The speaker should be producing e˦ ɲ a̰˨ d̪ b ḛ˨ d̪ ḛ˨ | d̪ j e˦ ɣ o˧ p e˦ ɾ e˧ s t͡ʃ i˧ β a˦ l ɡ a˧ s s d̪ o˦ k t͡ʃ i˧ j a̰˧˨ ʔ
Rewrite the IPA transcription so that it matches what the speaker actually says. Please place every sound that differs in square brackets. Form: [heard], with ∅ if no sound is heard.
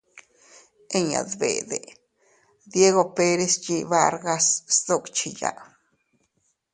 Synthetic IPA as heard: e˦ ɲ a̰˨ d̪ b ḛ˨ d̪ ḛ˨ | d̪ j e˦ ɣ o˧ p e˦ ɾ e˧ s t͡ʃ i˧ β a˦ [ɾ] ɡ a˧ s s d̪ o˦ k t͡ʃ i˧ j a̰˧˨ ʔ

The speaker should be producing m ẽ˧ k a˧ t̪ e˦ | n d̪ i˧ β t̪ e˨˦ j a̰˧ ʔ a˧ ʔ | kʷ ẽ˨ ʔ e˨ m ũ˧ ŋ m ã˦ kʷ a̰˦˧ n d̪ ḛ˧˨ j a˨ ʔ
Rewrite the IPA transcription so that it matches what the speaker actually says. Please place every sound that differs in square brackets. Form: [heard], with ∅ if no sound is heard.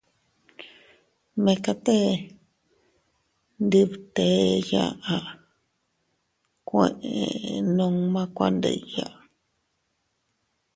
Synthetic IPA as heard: m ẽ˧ k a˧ t̪ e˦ | n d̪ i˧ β t̪ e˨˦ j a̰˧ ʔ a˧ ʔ | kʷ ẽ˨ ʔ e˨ [n] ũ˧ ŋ m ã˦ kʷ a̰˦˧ n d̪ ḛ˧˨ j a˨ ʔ

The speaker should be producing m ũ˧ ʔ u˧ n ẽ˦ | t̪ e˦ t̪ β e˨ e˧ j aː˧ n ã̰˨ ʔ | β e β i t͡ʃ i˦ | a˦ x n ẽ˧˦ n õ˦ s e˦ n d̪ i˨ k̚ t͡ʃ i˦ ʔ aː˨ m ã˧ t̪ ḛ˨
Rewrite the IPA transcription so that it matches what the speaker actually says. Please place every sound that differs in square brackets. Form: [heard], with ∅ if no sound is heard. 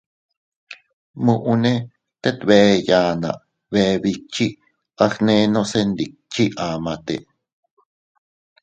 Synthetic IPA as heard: m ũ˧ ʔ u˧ n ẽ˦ | t̪ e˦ t̪ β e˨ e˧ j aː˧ n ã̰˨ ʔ | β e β i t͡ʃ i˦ | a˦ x n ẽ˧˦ n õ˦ s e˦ n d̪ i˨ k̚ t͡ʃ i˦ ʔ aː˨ m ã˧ t̪ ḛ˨

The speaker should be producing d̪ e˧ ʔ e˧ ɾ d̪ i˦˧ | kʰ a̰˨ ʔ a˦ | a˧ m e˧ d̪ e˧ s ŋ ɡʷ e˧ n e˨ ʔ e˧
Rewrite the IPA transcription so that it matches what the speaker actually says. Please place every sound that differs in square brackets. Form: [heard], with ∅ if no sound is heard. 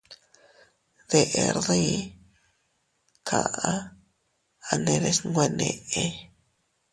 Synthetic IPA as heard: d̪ e˧ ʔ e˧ ɾ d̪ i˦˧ | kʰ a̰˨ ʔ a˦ | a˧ [n] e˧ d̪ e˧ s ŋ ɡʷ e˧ n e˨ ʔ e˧

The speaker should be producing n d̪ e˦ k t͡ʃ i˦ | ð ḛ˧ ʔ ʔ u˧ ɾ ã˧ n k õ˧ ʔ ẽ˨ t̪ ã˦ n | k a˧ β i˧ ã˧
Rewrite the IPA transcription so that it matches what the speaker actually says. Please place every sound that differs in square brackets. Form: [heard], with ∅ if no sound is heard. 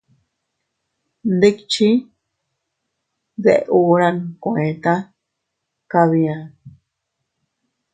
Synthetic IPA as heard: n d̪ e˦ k t͡ʃ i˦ | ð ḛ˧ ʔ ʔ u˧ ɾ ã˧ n k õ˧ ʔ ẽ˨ t̪ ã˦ [∅] | k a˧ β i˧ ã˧

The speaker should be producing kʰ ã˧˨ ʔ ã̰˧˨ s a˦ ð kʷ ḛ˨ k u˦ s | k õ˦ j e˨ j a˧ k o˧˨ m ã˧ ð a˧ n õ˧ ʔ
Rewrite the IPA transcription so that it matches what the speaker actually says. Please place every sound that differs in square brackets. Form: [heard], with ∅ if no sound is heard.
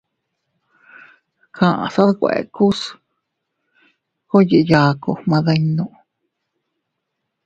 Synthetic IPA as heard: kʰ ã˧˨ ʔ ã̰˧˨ s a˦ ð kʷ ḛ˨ k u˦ s | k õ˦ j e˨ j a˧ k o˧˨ m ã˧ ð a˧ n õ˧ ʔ

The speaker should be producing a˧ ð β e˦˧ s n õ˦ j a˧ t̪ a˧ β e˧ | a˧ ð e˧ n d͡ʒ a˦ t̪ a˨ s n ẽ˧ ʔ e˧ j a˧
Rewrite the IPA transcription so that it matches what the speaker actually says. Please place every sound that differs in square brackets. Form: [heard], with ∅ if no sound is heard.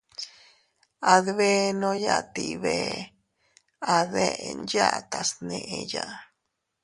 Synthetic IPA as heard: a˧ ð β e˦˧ [∅] n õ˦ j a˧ t̪ [i˧] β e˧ | a˧ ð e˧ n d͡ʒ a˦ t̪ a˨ s n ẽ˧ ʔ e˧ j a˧

